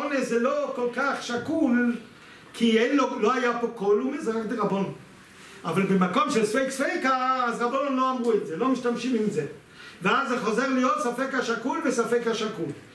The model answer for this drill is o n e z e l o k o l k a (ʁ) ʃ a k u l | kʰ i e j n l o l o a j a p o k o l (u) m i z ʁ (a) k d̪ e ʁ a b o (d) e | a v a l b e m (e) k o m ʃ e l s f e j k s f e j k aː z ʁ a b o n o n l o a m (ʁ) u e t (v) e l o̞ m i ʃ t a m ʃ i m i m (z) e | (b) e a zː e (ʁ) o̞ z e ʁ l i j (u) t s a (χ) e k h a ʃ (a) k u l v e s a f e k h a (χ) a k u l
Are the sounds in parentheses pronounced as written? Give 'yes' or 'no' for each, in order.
no, yes, yes, no, no, yes, no, yes, no, no, no, no, yes, no

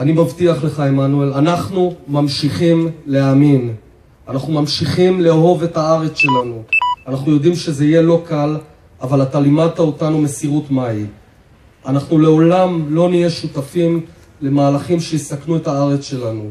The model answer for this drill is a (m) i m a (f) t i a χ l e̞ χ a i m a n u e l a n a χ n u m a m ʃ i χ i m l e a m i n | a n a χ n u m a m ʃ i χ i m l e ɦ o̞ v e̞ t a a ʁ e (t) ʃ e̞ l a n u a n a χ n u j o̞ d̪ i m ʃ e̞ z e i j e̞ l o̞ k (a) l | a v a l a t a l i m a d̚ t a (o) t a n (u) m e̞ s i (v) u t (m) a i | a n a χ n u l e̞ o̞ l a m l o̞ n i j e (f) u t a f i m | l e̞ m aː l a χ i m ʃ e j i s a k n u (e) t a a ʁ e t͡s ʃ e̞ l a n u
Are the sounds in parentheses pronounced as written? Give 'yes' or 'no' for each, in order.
no, no, no, yes, yes, yes, no, yes, no, yes

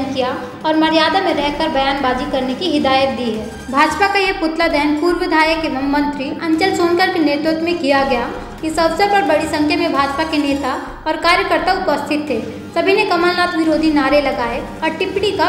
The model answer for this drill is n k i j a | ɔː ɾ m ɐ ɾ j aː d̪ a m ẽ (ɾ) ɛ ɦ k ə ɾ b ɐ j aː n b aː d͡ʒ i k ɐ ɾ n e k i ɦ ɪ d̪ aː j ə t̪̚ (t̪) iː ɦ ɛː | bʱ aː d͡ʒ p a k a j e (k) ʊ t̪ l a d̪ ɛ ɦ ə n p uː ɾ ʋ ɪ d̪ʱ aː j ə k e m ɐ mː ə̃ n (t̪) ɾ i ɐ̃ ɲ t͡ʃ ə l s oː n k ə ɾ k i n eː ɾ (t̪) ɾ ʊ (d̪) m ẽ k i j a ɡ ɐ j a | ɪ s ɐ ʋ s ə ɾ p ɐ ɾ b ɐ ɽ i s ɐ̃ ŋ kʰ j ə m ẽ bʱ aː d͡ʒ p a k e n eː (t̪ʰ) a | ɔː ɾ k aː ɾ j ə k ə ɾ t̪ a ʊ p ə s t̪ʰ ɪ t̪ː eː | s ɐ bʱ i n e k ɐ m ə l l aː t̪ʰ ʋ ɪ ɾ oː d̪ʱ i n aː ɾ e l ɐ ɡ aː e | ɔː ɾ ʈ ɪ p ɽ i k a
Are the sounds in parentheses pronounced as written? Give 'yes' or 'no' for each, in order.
yes, no, no, yes, yes, no, no

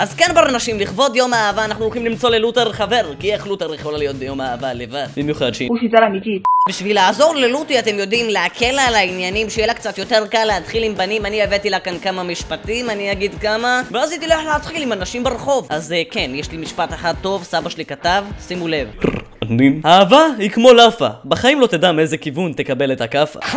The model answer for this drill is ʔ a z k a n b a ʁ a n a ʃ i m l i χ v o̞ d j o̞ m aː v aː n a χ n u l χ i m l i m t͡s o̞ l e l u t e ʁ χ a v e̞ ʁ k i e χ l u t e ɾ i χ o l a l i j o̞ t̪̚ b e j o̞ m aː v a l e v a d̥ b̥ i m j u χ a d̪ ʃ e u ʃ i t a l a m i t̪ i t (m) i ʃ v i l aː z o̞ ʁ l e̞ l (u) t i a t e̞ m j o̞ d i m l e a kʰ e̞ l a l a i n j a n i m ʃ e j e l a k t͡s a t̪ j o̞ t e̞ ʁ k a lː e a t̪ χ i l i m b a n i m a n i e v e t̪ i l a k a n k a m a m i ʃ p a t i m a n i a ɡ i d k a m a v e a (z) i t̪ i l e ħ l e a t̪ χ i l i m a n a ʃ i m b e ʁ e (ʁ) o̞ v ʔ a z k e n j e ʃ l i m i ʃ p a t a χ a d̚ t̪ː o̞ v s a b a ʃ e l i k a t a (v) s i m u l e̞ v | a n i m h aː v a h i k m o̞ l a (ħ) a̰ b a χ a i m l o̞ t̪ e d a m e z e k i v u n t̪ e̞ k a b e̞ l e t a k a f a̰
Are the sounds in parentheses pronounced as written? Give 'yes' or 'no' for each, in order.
no, yes, yes, no, yes, no

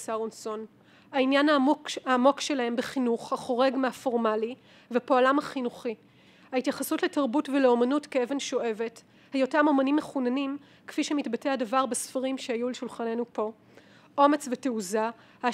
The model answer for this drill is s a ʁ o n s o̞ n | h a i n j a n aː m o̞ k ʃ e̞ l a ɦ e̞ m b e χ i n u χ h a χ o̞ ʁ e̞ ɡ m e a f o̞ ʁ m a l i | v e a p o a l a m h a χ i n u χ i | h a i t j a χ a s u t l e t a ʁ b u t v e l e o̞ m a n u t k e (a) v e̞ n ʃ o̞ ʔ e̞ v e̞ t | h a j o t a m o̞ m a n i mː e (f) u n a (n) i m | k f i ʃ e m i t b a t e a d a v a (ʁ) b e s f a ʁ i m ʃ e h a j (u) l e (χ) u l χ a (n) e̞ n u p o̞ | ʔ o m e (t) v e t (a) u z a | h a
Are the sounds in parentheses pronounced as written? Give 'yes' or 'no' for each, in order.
no, no, yes, yes, yes, no, yes, no, no

